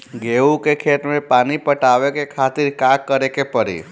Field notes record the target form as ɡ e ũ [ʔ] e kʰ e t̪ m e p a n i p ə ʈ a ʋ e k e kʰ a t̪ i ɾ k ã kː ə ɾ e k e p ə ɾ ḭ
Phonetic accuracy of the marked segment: incorrect: k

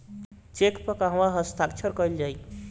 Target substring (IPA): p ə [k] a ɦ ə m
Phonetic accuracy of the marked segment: correct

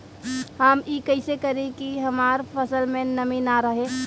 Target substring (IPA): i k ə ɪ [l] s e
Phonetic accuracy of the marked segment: incorrect: none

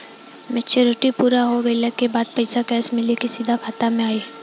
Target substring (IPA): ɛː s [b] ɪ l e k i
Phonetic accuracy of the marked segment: incorrect: m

